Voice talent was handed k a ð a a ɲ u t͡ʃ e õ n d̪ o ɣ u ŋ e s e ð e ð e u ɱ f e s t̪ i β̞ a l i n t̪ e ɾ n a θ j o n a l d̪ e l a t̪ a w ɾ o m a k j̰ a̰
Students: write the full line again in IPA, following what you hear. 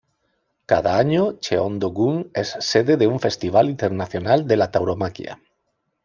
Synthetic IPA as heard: k a ð a a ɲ o t͡ʃ e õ n d̪ o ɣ u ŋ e sː e ð e ð e u ɱ f e s t̪ i β̞ a l i n t̪ e ɾ n a θ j o n a l d̪ e l a t̪ a w ɾ o m a k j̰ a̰